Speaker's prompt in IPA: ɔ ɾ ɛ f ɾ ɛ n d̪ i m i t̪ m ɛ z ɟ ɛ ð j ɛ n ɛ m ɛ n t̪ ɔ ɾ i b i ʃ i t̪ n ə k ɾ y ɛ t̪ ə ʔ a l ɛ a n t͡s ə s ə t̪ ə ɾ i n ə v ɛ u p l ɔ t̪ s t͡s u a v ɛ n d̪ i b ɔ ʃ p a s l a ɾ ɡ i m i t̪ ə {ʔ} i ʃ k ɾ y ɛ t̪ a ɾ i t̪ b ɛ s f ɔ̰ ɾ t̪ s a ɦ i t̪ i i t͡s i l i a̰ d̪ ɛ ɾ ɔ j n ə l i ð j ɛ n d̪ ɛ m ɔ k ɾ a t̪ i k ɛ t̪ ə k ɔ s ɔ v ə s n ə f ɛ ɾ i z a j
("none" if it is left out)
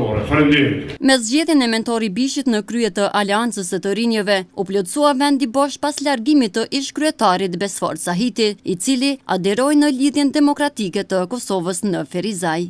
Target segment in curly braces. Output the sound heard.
ʔ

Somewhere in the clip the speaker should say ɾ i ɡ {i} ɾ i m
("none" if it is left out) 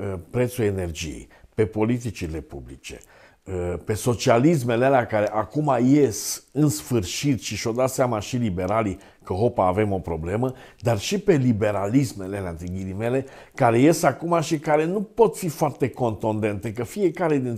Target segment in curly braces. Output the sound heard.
i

